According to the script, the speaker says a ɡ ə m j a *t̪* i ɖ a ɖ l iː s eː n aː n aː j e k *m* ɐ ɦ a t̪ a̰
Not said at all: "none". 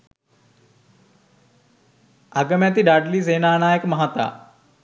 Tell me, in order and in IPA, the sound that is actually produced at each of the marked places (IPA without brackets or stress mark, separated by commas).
t̪, m